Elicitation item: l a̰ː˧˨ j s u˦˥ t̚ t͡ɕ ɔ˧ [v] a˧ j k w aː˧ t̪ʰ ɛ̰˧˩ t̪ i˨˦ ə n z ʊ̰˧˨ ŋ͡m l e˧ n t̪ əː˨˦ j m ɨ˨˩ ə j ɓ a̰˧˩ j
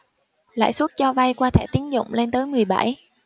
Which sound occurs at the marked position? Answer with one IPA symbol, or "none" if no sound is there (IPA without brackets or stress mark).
v